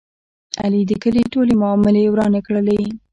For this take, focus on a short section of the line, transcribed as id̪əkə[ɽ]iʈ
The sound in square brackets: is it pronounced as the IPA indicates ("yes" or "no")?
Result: no